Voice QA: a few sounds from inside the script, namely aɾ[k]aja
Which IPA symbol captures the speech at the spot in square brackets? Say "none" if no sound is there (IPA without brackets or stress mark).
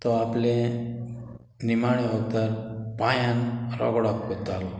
p